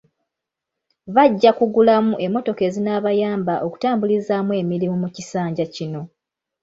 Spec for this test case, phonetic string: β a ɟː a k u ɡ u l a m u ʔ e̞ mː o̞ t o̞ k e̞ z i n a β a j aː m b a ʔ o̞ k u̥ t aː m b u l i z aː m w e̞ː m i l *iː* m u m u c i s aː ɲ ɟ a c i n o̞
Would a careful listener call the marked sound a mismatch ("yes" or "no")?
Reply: yes